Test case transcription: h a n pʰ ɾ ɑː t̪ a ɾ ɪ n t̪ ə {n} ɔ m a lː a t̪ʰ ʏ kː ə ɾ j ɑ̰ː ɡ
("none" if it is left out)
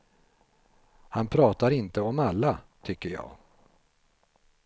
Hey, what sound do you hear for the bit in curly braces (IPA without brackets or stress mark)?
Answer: none